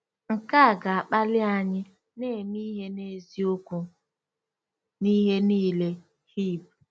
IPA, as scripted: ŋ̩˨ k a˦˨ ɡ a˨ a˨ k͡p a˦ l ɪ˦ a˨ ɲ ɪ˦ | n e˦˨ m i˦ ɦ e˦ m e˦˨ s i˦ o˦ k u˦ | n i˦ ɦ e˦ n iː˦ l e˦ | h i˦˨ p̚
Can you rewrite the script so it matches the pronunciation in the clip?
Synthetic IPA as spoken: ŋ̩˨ k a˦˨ ɡ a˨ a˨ k͡p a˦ l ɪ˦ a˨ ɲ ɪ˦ | n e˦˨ m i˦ ɦ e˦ n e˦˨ z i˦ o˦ k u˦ | n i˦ ɦ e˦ n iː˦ l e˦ | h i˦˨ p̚